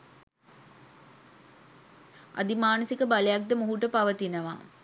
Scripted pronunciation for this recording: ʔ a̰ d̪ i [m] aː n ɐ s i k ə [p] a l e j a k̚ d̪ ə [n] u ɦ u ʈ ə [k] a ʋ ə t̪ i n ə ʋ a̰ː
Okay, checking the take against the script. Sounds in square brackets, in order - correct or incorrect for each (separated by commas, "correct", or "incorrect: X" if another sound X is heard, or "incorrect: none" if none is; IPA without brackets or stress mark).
correct, incorrect: b, incorrect: m, incorrect: p